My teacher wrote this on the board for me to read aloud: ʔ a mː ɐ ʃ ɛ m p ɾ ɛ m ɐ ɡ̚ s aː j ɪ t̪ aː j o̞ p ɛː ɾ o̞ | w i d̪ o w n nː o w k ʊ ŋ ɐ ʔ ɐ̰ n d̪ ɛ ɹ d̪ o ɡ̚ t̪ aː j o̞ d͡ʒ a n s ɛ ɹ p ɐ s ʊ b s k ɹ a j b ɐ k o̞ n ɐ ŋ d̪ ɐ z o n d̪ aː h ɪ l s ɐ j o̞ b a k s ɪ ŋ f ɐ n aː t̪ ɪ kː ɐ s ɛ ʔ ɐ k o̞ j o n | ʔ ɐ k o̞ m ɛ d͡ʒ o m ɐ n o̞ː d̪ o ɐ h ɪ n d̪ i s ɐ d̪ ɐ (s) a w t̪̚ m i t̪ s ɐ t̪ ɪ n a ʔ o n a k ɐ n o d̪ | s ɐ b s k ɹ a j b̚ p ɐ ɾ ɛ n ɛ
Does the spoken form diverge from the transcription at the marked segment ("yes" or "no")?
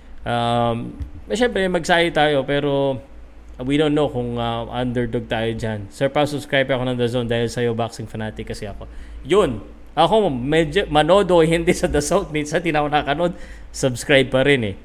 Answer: no